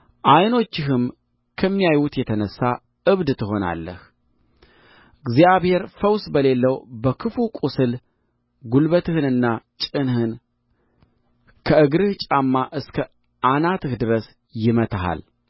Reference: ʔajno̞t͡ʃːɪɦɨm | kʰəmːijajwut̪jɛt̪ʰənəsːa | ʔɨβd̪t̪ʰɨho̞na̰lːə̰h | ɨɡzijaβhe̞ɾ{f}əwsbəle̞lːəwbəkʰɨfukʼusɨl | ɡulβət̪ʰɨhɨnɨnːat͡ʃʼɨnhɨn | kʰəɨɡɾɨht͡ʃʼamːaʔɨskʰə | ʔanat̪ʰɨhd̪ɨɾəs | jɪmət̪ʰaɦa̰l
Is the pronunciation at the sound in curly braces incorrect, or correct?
correct